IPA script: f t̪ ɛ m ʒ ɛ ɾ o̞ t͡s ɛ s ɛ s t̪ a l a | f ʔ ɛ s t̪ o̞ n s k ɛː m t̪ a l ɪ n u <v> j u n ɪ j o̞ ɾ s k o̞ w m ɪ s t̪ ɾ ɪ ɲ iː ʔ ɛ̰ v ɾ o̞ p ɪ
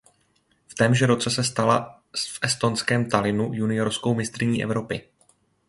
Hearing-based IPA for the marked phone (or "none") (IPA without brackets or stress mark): none